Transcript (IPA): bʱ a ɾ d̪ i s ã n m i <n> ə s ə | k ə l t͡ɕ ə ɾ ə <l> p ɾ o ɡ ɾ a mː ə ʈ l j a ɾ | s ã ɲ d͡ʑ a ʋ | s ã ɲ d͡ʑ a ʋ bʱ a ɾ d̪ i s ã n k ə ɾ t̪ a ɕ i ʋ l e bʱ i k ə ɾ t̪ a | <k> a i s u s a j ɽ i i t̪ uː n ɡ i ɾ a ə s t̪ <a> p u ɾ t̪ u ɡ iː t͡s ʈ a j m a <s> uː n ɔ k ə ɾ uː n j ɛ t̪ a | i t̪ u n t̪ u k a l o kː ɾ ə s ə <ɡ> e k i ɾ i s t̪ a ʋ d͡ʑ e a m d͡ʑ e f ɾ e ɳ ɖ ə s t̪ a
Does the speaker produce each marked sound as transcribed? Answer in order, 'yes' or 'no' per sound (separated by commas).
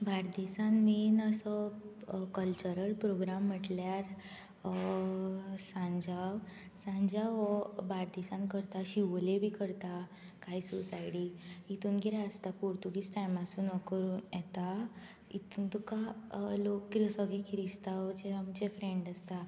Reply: yes, yes, yes, yes, yes, yes